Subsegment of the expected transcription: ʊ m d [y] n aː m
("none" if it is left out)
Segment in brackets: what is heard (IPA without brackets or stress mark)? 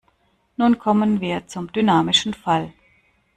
y